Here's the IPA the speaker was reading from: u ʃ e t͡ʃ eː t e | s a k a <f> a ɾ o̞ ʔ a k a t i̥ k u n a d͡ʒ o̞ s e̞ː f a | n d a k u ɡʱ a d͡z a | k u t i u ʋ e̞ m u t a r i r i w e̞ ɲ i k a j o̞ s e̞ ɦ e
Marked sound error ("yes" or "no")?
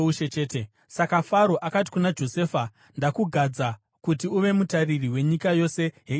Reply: no